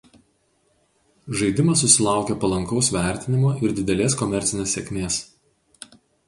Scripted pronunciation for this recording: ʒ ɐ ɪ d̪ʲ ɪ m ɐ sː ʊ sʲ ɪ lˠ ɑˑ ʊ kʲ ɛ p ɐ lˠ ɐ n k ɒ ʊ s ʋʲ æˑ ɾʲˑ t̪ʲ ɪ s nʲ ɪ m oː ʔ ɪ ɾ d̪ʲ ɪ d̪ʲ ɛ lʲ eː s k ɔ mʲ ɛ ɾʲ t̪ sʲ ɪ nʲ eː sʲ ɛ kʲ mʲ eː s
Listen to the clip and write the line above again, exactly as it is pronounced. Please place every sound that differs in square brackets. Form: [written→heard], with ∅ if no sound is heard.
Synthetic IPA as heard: ʒ ɐ ɪ d̪ʲ ɪ m ɐ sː ʊ sʲ ɪ lˠ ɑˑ ʊ kʲ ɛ p ɐ lˠ ɐ [n→ŋ] k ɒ ʊ s ʋʲ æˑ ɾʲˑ t̪ʲ ɪ [s→∅] nʲ ɪ m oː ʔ ɪ ɾ d̪ʲ ɪ d̪ʲ ɛ lʲ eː s k ɔ mʲ ɛ ɾʲ t̪ sʲ ɪ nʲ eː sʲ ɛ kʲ mʲ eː s